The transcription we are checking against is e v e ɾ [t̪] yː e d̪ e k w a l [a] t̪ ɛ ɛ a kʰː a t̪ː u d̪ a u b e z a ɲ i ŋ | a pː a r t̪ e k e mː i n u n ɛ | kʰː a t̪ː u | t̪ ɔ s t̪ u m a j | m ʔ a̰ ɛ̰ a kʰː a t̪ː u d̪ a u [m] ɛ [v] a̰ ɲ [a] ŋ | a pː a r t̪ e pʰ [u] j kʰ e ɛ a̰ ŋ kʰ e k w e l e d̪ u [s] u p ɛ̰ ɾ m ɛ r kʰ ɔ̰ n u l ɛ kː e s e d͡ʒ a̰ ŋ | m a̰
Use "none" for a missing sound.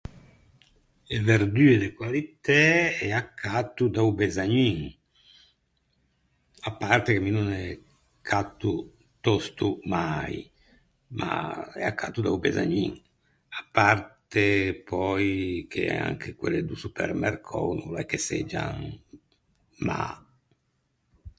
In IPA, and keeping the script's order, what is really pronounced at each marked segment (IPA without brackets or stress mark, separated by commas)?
d̪, i, b, z, i, ɔ, s